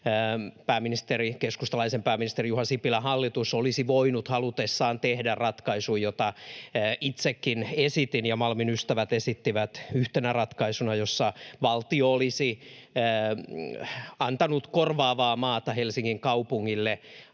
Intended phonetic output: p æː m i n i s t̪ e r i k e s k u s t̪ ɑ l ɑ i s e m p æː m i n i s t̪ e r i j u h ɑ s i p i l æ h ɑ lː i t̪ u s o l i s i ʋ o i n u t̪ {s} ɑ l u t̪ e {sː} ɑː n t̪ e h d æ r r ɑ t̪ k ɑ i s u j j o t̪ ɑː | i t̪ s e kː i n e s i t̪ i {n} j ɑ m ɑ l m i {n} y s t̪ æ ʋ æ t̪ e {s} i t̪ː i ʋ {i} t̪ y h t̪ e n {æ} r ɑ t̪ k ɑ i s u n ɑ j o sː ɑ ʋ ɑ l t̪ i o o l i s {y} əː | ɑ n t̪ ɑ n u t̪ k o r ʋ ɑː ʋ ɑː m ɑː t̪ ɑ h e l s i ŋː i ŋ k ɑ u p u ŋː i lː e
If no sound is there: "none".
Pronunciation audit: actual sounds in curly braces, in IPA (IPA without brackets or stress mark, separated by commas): h, sː, n, n, s, æ, æ, i